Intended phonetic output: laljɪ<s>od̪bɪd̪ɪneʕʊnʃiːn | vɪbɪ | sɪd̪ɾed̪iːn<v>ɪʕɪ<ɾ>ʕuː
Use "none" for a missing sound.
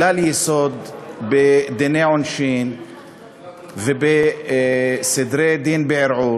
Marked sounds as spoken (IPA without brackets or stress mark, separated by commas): s, b, ɾ